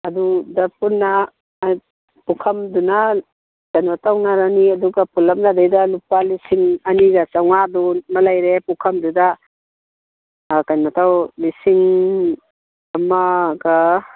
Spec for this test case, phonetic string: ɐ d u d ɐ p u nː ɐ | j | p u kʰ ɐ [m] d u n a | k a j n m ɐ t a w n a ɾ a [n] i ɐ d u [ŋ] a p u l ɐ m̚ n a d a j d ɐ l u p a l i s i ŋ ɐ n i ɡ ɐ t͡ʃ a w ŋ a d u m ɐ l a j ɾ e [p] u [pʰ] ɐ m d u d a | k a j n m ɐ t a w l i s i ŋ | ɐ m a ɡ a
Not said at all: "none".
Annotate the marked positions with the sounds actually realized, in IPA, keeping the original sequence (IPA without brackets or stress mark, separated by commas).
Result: m, n, ɡ, p, kʰ